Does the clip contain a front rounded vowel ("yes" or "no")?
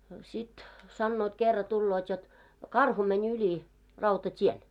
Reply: yes